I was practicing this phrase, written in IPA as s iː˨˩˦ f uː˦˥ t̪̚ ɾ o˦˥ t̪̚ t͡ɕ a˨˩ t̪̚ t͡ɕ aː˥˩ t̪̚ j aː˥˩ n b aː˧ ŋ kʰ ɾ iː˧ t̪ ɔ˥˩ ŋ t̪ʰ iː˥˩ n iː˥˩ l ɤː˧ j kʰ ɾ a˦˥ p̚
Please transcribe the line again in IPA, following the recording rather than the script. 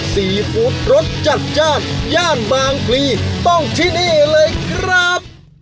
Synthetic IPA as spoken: s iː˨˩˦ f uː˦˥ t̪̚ ɾ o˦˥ t̪̚ t͡ɕ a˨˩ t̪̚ t͡ɕ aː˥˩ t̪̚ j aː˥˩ n b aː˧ ŋ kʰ l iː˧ t̪ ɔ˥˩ ŋ t̪ʰ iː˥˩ n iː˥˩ l ɤː˧ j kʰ ɾ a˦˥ p̚